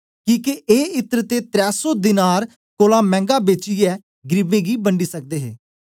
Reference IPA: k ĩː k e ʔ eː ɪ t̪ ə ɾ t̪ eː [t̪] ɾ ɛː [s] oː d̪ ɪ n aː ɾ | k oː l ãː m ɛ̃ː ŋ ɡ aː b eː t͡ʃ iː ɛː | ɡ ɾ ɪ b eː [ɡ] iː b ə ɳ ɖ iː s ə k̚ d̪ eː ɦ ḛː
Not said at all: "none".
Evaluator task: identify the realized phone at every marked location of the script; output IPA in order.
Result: t̪, s, ɡ

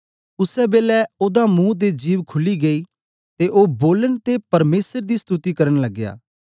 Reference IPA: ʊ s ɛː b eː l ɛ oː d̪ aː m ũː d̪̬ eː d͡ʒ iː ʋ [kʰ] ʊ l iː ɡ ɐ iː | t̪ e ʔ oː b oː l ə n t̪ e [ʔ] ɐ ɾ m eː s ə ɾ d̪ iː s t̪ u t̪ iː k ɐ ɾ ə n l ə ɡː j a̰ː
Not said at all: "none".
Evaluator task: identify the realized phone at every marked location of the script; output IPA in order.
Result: kʰ, p

